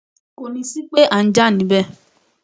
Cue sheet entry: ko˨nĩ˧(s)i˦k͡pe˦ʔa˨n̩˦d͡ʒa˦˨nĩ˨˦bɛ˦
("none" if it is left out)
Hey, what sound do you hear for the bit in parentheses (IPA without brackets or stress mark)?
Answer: s